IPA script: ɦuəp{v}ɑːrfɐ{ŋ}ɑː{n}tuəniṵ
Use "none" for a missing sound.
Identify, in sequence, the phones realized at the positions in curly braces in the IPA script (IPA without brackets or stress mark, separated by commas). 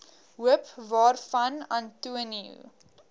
v, n, n